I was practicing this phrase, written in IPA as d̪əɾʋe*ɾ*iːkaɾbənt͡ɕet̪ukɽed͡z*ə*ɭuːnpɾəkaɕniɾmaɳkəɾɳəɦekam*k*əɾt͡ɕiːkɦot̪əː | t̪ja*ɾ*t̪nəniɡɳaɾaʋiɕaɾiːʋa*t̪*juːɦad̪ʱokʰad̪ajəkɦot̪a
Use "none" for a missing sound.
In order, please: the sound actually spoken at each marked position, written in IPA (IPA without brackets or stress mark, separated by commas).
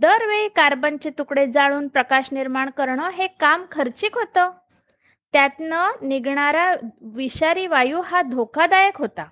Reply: ɭ, a, kʰ, none, none